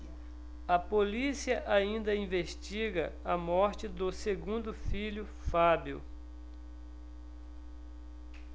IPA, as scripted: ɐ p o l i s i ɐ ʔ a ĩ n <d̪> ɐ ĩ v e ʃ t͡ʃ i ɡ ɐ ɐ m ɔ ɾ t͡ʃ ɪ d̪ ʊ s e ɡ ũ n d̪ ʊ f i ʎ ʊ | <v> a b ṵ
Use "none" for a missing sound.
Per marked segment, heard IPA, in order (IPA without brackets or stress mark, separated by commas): d̪, f